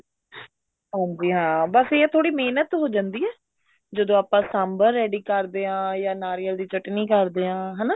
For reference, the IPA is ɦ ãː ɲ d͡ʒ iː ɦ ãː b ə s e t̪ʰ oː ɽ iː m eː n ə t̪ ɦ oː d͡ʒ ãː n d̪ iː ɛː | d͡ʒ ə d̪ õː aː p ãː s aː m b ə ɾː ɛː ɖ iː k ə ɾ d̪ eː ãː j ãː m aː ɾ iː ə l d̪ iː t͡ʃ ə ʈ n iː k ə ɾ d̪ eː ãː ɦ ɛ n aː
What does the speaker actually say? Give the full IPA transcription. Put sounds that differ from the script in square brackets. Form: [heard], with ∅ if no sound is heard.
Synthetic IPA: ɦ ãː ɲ d͡ʒ iː ɦ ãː b ə s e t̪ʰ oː ɽ iː m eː n ə t̪ ɦ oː d͡ʒ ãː n d̪ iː ɛː | d͡ʒ ə d̪ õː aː p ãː s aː m b ə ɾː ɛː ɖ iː k ə ɾ d̪ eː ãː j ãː [n] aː ɾ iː ə l d̪ iː t͡ʃ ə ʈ n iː k ə ɾ d̪ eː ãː ɦ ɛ n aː